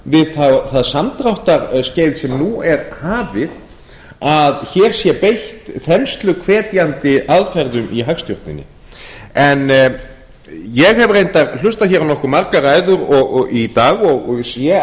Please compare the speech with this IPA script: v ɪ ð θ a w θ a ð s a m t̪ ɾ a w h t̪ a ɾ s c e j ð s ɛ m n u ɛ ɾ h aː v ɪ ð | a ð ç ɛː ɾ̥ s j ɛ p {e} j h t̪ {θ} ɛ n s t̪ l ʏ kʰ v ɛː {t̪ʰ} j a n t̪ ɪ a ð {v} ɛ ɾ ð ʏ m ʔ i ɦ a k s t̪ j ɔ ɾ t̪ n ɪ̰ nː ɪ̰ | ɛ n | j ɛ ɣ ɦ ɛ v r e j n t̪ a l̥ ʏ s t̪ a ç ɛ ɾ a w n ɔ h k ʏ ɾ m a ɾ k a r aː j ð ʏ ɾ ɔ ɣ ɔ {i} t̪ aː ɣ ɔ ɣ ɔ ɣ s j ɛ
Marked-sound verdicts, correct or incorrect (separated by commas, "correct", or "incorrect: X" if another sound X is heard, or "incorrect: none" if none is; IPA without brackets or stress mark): correct, correct, incorrect: t̪, incorrect: f, correct